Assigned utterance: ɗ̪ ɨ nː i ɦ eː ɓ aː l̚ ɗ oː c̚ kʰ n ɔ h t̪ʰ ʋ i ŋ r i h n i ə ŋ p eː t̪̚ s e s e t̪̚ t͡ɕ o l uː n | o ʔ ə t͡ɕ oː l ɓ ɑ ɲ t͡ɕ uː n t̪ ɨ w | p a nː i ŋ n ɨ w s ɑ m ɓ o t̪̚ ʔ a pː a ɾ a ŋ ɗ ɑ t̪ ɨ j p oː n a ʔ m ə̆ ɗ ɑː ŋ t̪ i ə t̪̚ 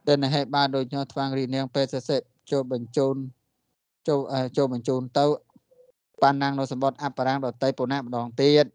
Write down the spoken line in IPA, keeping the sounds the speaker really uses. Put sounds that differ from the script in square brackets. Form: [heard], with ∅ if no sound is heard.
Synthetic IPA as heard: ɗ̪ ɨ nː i ɦ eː ɓ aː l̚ ɗ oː c̚ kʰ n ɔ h t̪ʰ ʋ [a] ŋ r i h n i ə ŋ p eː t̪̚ s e s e t̪̚ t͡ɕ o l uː n | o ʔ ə t͡ɕ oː l ɓ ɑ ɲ t͡ɕ uː n t̪ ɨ w | p a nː [a] ŋ n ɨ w s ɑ m ɓ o t̪̚ ʔ a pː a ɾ a ŋ ɗ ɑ t̪ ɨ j p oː n a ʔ m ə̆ ɗ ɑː ŋ t̪ i ə t̪̚